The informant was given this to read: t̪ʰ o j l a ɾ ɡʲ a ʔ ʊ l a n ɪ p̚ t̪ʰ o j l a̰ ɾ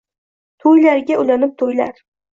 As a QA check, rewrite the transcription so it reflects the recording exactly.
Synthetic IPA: t̪ʰ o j l a ɾ ɡʲ a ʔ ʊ l a n ɪ p̚ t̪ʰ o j l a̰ ɾ